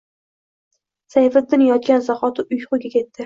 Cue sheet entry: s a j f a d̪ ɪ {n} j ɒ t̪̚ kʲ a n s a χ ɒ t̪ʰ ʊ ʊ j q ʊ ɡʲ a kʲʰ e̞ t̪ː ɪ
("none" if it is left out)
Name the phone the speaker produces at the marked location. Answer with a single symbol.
n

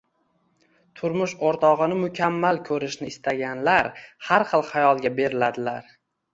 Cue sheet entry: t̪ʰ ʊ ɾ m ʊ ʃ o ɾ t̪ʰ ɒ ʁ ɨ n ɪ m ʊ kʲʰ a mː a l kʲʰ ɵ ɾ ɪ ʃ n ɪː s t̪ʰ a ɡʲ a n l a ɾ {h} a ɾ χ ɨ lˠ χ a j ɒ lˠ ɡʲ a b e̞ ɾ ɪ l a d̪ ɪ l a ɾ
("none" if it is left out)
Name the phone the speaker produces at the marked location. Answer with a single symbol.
h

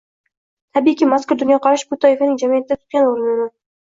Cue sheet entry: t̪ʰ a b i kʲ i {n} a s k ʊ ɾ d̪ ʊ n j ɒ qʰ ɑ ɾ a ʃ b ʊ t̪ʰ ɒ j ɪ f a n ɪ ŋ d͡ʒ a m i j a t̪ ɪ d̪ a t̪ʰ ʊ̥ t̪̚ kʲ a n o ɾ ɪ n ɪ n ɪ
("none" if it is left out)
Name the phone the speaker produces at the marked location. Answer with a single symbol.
m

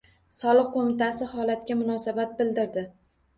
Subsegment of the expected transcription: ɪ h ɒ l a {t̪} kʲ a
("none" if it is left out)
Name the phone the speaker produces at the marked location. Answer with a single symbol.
t̪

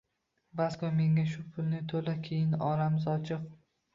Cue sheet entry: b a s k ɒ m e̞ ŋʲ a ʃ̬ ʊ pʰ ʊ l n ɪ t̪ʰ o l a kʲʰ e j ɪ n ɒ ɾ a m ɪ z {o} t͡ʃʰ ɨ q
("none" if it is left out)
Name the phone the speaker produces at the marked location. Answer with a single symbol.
ɒ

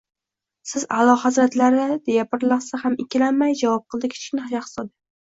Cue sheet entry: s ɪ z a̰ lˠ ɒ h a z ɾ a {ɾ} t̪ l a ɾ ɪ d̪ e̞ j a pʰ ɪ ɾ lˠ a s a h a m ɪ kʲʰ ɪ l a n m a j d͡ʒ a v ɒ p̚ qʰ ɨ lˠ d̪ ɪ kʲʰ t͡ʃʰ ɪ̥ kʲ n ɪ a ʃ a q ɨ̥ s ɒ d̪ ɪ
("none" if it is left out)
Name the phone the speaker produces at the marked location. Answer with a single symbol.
none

